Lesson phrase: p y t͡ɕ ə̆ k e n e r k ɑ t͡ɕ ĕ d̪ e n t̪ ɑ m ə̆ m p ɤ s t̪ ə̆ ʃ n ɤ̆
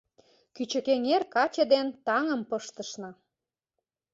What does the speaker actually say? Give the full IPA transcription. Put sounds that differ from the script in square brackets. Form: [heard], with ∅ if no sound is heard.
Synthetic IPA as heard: [k] y t͡ɕ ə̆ k e [ŋ] e r k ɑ t͡ɕ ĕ d̪ e n t̪ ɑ [ŋ] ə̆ m p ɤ [ʃ] t̪ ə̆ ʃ n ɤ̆

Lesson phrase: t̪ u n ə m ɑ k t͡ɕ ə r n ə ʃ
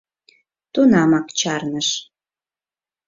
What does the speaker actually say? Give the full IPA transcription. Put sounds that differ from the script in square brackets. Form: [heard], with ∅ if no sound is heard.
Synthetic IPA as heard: t̪ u n [ɑ] m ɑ k t͡ɕ [ɑ] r n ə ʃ

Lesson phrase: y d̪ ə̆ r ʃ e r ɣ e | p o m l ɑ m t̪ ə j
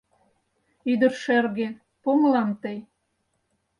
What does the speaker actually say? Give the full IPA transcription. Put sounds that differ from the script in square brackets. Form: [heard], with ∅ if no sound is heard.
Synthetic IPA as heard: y d̪ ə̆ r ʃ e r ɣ e | p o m l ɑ m t̪ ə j

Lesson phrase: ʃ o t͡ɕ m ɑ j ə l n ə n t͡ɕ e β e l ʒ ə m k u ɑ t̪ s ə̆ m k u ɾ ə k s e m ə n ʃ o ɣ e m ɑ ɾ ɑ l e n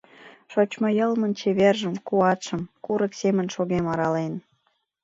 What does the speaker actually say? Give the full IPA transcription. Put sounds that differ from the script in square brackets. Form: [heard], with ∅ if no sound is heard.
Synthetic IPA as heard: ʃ o t͡ɕ m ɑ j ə l [m] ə n t͡ɕ e β e [r] ʒ ə m k u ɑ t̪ [ʃ] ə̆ m k u ɾ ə k s e m ə n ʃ o ɣ e m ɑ ɾ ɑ l e n

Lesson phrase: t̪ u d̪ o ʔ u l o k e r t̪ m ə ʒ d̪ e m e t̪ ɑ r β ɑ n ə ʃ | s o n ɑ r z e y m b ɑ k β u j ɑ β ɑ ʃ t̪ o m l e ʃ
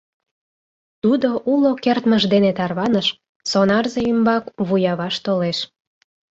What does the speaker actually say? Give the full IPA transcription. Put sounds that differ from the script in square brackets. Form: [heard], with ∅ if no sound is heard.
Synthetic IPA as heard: t̪ u d̪ o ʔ u l o k e r t̪ m ə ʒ d̪ e [n] e t̪ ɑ r β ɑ n ə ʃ | s o n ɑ r z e y m b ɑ k β u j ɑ β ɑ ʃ t̪ o [∅] l e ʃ

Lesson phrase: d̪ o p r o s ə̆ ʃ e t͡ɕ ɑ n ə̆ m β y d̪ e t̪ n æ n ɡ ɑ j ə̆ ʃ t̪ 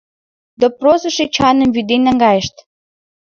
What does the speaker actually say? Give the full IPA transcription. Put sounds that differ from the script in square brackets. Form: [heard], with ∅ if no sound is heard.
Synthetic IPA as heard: d̪ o p r o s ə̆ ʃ e t͡ɕ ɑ n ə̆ m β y d̪ e [∅] n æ [ŋ] ɡ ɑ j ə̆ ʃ t̪

